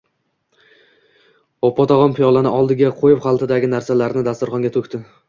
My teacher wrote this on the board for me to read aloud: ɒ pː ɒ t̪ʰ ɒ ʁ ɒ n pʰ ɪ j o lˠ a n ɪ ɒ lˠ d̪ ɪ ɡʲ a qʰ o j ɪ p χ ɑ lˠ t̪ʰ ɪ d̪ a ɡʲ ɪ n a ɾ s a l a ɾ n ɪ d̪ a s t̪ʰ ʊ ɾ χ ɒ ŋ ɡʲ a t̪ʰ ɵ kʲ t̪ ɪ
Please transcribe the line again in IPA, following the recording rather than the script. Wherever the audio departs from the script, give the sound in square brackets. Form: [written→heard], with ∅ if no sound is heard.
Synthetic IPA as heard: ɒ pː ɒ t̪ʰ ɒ ʁ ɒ n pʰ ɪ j [o→ɒ] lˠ a n ɪ ɒ lˠ d̪ ɪ ɡʲ a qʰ o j ɪ p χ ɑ lˠ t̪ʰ ɪ d̪ a ɡʲ ɪ n a ɾ s a l a ɾ n ɪ d̪ a s [t̪ʰ→t̪] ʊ ɾ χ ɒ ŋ ɡʲ a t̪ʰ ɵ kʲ t̪ ɪ